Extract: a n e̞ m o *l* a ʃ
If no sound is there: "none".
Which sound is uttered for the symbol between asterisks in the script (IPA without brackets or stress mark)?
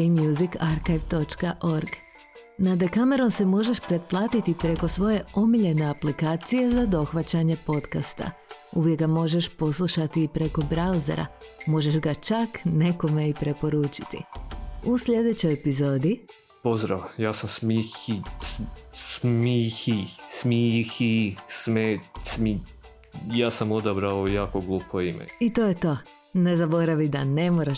ɾ